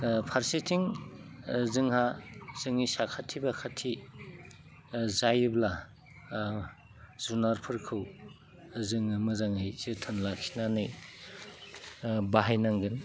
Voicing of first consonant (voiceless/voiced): voiceless